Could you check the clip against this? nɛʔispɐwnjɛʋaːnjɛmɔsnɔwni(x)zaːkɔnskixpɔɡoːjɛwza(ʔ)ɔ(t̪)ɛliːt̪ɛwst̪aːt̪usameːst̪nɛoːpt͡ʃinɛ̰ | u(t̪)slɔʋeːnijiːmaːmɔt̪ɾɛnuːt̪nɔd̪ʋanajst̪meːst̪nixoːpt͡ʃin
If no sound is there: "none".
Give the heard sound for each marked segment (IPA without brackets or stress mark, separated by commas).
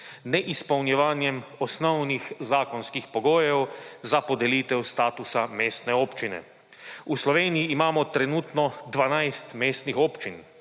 x, p, d̪, none